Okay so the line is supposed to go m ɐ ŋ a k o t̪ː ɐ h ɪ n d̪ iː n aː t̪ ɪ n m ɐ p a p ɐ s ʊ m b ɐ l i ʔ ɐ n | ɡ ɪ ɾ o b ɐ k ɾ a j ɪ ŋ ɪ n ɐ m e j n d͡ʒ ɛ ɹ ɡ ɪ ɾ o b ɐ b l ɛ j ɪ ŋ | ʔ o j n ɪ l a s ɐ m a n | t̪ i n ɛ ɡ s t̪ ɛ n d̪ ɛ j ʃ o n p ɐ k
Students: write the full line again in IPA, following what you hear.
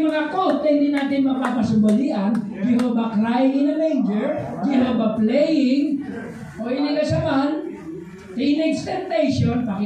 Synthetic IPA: m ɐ ŋ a k o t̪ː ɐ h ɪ n d̪ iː n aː t̪ ɪ n m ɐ p a p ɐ s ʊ m b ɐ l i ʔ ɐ n | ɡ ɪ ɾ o b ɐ k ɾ a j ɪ ŋ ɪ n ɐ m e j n d͡ʒ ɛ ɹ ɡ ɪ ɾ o b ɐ p l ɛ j ɪ ŋ | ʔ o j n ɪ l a s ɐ m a n | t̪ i n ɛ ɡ s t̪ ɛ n t̪ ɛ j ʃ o n p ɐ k